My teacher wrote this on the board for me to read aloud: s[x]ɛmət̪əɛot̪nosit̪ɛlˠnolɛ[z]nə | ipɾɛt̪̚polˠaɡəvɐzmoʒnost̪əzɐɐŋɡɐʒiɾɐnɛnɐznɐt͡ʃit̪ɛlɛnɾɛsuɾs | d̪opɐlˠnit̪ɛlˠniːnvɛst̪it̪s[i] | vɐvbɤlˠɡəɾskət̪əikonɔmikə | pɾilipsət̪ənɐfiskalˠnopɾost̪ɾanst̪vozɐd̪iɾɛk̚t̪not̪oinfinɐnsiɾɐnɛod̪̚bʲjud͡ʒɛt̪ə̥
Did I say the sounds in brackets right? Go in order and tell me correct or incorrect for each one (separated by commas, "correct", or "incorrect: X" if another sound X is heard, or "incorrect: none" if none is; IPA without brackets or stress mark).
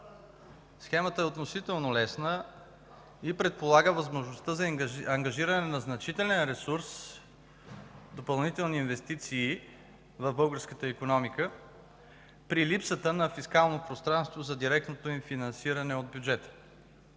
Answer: correct, incorrect: s, incorrect: iː